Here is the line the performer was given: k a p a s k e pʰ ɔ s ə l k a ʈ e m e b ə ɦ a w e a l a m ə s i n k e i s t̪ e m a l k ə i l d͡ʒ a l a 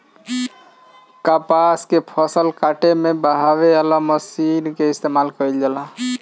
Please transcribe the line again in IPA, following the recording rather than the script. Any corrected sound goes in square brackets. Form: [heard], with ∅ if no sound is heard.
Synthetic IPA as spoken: k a p a s k e pʰ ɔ s ə l k a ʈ e m e b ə ɦ a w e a l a m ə s i n k e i s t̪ e m a l k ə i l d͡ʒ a l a